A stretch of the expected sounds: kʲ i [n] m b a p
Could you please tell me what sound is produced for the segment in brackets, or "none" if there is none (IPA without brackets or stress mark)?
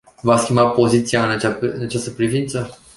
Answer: none